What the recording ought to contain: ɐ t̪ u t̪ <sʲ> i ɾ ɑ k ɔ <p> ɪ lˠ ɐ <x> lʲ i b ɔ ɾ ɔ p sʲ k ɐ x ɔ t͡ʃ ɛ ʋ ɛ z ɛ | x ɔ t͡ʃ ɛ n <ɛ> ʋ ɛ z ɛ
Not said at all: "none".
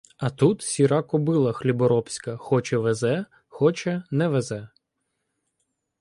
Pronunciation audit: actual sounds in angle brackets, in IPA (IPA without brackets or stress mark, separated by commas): sʲ, b, x, ɛ